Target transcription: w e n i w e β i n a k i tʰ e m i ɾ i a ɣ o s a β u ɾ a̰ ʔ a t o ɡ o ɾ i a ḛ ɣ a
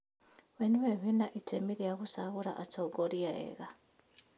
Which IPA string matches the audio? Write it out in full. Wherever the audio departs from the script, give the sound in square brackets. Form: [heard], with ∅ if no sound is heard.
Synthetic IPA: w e n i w e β i n a [ʔ] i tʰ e m i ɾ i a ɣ [u] s a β u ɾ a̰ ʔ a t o ɡ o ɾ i a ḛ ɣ a